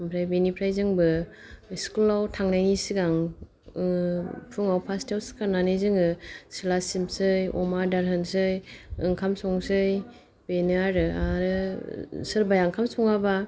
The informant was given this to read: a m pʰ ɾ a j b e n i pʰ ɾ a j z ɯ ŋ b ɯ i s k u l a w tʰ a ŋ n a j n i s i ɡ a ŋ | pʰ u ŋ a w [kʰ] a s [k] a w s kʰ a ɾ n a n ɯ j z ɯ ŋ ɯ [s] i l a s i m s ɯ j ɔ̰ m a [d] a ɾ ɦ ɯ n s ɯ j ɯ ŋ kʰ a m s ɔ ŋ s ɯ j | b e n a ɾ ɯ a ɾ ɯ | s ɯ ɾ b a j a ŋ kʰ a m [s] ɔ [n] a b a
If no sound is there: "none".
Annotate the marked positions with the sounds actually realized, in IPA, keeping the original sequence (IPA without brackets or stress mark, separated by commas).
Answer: pʰ, t, s, d, s, ŋ